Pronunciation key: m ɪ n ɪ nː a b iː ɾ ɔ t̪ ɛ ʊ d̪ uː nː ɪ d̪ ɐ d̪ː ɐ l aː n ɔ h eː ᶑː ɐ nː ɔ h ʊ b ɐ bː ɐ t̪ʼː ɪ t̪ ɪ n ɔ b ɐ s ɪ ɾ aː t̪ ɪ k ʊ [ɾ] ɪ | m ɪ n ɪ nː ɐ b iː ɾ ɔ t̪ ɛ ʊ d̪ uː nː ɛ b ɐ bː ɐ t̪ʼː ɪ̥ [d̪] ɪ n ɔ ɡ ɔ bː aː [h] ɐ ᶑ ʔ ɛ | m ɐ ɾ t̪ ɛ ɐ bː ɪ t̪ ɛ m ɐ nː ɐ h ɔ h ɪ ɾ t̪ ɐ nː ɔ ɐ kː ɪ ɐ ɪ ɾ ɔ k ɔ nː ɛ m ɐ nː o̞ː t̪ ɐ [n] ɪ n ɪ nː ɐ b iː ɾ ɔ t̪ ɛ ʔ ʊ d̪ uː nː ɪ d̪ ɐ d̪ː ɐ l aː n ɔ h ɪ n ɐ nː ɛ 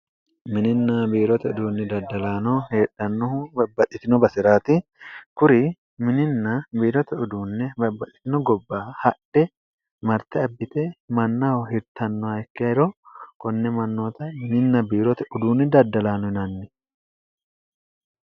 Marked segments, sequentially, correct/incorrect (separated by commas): correct, incorrect, correct, incorrect